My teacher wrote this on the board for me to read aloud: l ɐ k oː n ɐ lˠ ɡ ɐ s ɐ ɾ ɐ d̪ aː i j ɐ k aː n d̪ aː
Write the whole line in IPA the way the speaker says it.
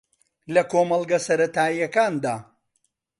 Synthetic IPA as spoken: l ɐ k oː m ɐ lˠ ɡ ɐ s ɐ ɾ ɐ t̪ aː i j ɐ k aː n d̪ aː